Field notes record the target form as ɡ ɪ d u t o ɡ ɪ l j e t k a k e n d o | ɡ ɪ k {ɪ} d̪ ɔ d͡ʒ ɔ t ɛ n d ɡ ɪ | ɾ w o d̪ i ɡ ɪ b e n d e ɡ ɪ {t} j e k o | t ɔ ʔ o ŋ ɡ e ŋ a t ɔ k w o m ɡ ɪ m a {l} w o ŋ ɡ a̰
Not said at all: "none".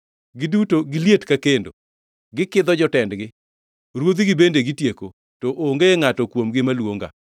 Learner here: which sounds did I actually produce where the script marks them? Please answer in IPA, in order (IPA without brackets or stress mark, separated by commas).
ɪ, t, l